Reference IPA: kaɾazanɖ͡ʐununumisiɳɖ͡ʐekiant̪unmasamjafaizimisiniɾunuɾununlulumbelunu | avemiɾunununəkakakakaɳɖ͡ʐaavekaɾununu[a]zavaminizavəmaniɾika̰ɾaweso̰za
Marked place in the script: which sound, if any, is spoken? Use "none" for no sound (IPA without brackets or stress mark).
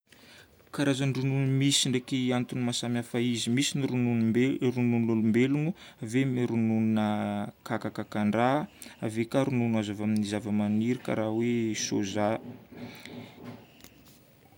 a